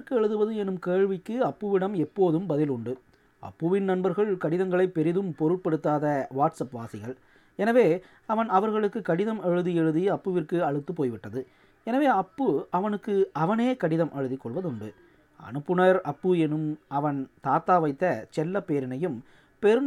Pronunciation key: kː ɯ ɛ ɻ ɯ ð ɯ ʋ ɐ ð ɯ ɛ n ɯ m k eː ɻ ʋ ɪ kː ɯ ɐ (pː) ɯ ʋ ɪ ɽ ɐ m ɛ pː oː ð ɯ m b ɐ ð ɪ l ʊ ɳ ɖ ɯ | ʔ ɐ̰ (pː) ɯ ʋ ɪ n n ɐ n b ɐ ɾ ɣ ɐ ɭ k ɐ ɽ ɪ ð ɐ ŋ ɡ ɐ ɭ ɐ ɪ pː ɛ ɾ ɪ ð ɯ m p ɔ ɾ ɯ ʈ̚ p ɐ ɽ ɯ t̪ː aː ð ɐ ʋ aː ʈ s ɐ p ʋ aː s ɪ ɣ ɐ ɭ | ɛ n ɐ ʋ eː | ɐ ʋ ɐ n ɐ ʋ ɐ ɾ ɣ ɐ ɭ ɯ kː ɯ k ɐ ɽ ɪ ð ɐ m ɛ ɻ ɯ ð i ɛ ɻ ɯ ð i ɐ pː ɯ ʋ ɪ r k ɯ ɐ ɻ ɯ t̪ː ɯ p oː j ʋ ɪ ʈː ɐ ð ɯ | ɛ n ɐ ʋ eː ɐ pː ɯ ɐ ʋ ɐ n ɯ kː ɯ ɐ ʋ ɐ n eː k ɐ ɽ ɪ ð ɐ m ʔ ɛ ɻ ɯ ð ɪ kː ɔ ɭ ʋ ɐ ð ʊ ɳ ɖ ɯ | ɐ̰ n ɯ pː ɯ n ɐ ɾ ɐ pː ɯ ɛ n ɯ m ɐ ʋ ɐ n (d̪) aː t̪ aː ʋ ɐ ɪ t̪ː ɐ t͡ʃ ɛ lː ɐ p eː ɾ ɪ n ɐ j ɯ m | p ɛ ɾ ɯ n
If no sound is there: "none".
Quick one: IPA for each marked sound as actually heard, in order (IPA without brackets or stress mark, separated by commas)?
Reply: pː, pː, t̪